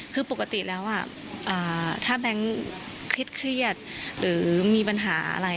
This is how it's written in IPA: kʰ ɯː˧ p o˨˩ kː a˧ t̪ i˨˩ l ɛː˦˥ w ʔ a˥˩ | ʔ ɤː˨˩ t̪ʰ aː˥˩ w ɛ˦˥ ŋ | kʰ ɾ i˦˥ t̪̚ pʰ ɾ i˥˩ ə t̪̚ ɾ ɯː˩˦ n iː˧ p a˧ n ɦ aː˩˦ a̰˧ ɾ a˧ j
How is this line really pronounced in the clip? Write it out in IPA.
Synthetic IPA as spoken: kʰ ɯː˧ p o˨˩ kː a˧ t̪ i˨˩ l ɛː˦˥ w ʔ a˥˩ | ʔ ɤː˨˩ t̪ʰ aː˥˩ b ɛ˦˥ ŋ | kʰ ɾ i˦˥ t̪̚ kʰ ɾ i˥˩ ə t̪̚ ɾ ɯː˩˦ m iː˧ p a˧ n ɦ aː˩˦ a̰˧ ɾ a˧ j